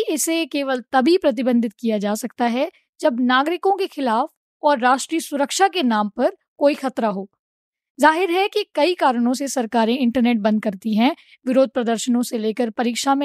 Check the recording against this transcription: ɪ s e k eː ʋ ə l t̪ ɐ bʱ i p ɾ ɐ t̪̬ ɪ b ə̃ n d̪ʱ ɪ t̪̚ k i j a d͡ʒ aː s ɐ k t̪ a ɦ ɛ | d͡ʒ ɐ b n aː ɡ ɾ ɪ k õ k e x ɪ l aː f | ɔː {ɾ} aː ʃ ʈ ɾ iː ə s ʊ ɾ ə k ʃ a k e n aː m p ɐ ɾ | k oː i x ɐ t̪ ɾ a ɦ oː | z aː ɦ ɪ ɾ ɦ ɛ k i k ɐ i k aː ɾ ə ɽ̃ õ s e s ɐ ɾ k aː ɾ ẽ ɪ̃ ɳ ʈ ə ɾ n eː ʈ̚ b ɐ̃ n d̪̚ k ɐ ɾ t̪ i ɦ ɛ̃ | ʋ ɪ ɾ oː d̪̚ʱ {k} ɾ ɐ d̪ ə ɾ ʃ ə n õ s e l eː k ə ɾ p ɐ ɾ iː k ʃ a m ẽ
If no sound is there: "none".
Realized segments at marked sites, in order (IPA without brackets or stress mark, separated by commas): ɾː, p